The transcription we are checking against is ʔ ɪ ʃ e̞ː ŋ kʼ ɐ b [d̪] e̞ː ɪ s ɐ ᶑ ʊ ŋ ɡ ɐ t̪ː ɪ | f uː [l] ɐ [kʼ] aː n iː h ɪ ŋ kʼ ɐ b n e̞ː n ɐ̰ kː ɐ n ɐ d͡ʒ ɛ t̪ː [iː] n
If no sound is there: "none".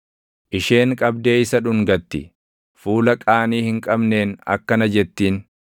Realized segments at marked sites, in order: d̪, l, kʼ, iː

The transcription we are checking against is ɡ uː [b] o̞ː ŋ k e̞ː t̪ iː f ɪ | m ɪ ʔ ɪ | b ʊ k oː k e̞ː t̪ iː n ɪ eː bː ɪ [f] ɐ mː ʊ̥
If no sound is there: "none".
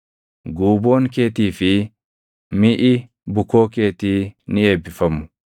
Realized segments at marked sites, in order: b, f

